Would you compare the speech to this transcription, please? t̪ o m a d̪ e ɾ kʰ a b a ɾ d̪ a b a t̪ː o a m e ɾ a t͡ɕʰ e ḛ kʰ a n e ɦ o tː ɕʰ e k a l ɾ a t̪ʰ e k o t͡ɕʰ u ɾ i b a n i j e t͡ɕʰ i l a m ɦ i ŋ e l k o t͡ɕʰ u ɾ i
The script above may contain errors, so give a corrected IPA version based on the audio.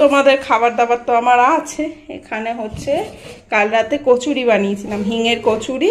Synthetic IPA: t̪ o m a d̪ e ɾ kʰ a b a ɾ d̪ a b a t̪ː o a m a ɾ a t͡ɕʰ e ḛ kʰ a n e ɦ o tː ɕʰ e k a l ɾ a t̪ e k o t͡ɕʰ u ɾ i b a n i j e t͡ɕʰ i l a m ɦ i ŋ e ɾ k o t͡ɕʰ u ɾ i